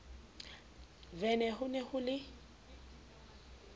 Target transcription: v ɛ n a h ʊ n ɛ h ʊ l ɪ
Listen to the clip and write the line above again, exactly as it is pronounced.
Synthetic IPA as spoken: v ɛ n ɛ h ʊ n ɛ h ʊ l ɪ